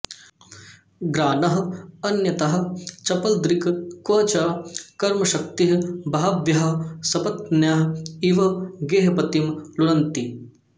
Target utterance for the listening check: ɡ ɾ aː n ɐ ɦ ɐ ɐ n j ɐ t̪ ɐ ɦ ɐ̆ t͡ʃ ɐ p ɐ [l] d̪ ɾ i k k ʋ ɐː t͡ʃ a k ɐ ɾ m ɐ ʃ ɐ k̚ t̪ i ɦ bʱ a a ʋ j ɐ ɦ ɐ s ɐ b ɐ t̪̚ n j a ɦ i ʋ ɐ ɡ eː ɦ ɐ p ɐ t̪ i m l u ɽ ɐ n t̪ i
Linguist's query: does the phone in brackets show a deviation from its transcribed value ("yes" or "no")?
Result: no